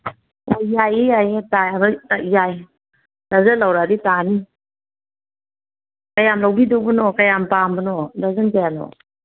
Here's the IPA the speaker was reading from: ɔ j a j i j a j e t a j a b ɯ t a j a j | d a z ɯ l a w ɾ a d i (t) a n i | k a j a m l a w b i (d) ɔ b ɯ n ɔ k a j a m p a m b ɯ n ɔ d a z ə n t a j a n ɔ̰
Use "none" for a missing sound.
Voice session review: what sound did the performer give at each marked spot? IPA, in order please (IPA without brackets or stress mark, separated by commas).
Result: t, d